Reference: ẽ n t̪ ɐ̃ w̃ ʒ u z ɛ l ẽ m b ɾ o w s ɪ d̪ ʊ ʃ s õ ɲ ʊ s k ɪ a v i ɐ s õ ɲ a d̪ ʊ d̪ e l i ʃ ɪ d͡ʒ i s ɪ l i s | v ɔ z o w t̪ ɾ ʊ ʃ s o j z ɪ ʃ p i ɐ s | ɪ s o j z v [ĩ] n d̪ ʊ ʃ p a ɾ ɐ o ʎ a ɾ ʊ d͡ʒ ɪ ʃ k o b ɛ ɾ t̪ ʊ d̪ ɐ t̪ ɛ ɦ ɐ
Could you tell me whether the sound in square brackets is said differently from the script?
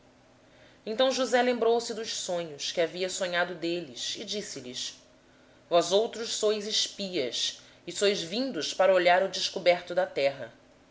no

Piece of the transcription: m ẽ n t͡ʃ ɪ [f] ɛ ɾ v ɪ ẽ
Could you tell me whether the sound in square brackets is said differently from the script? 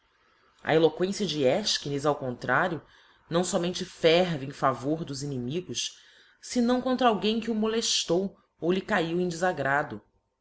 no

